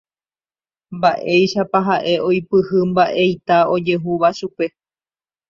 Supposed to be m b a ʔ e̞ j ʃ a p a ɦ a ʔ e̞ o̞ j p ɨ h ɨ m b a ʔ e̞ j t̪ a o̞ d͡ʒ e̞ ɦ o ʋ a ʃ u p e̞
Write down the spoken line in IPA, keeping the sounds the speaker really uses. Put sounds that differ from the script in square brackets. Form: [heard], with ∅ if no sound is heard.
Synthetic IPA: m b a ʔ e̞ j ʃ a p a ɦ a ʔ e̞ o̞ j p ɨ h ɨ m b a ʔ e̞ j t̪ a o̞ d͡ʒ e̞ ɦ [u] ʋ a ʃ u p e̞